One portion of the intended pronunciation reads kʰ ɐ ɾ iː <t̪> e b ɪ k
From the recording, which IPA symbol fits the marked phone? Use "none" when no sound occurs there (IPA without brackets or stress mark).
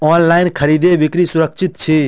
d̪